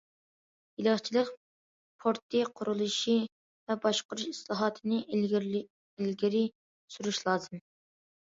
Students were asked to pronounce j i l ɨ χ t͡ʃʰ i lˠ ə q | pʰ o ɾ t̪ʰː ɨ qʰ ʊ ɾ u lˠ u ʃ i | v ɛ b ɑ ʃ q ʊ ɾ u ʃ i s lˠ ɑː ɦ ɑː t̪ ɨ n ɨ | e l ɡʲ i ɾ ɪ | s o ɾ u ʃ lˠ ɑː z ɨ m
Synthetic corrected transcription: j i l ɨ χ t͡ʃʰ i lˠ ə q | pʰ o ɾ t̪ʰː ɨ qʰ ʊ ɾ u lˠ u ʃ i | v ɛ b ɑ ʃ q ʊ ɾ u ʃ i s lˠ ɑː ɦ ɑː t̪ʰ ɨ n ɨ | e l ɡʲ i ɾ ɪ | s u ɾ u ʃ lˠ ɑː z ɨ m

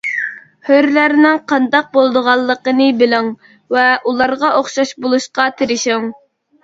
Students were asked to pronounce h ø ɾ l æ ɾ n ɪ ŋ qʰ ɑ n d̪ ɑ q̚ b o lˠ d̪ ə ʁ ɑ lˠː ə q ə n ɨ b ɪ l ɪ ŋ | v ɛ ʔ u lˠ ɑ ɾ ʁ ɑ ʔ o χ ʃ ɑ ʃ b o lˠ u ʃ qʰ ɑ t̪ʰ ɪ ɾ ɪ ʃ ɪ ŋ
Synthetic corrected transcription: h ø ɾ l æ ɾ n ɪ ŋ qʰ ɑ n d̪ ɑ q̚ b o lˠ d̪ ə ʁ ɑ lˠː ə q ə n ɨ b ɪ l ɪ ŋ | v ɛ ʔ u lˠ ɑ ɾ ʁ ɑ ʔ o χ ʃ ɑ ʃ b o lˠ u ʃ q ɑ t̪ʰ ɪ ɾ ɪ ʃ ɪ ŋ

